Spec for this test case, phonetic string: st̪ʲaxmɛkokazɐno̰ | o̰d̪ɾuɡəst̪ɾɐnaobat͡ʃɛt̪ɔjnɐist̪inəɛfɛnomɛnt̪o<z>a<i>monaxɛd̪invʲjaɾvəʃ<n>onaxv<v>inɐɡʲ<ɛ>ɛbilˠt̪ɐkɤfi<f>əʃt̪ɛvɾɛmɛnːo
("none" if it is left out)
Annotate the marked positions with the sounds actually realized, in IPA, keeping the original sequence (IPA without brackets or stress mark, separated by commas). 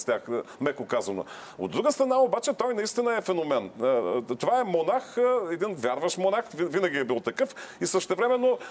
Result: v, ɛ, m, v, i, s